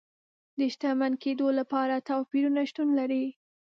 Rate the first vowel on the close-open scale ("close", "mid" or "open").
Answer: mid